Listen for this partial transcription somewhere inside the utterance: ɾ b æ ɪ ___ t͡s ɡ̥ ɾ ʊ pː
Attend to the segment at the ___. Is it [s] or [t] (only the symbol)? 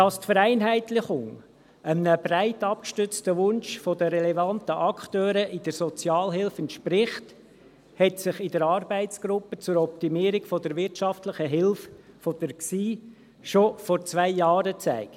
t